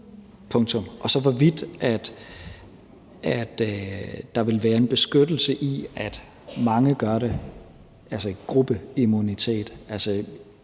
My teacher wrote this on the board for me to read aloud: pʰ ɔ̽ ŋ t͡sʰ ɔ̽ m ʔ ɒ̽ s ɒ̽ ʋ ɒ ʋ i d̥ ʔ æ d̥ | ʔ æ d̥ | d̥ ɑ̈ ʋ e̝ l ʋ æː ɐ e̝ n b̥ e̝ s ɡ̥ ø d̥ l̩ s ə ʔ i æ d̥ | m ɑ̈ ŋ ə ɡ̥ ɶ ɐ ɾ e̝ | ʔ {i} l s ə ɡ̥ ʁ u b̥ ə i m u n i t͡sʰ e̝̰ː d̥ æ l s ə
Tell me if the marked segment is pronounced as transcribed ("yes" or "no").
no